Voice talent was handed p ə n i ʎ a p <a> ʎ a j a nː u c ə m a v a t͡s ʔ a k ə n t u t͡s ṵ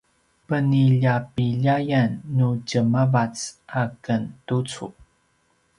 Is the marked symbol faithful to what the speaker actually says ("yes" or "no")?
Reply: no